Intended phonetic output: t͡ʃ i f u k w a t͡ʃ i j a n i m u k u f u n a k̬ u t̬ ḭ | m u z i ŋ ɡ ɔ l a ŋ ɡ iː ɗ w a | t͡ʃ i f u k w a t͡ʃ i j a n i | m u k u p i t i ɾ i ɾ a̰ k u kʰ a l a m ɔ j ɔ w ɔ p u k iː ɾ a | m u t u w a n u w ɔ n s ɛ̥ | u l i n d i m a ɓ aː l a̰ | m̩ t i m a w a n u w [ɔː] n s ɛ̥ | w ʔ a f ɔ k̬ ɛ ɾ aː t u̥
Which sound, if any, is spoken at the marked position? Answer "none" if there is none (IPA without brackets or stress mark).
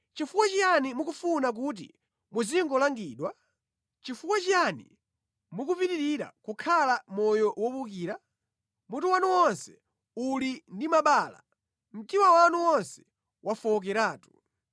ɔ